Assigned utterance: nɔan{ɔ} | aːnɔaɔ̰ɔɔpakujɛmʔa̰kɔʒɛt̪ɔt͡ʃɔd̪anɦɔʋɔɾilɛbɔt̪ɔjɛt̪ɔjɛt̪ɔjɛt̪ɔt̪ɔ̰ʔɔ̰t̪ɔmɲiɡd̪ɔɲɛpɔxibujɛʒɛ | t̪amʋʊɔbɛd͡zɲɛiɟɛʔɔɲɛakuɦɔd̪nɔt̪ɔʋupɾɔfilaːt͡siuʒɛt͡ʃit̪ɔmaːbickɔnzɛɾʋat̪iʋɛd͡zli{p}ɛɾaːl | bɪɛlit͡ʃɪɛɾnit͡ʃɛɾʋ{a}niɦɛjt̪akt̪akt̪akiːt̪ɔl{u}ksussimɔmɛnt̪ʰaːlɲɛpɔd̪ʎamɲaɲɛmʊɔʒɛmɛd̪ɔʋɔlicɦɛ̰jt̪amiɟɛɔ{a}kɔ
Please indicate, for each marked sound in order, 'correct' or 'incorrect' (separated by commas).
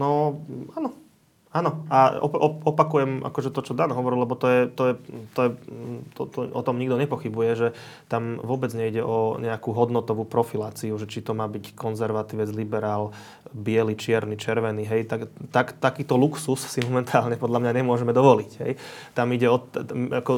correct, incorrect, incorrect, correct, correct